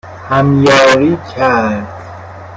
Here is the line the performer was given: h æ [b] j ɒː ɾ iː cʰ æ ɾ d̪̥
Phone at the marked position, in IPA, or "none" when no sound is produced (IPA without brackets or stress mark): m